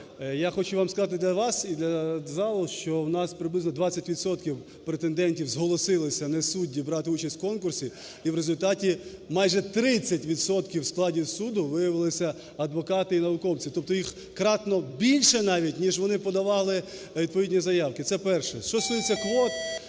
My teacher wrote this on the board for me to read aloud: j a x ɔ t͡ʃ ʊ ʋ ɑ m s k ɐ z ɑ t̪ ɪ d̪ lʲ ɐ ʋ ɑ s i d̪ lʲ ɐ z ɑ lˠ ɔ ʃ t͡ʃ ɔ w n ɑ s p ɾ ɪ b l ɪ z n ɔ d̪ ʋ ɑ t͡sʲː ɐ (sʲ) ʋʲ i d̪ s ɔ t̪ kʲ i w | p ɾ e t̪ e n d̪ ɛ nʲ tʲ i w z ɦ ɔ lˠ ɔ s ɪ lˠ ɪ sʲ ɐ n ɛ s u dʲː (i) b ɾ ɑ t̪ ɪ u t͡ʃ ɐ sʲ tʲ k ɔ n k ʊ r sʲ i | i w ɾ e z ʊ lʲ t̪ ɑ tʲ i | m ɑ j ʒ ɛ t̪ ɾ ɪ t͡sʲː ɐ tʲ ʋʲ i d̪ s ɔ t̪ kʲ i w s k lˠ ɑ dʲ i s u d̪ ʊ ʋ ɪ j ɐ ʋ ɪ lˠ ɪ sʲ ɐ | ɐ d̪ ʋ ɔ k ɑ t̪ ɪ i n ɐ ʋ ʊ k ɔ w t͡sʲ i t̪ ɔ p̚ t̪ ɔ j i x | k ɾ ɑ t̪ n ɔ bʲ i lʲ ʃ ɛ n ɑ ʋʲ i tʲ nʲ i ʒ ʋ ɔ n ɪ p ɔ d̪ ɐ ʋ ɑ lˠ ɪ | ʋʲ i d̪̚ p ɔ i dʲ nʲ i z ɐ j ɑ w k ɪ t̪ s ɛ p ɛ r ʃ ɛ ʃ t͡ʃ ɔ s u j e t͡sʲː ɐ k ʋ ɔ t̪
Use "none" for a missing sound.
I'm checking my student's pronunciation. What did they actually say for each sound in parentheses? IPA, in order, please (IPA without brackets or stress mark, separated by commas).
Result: tʲ, i